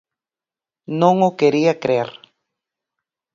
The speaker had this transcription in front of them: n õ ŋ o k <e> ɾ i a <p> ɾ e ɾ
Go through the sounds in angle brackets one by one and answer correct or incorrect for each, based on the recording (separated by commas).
correct, incorrect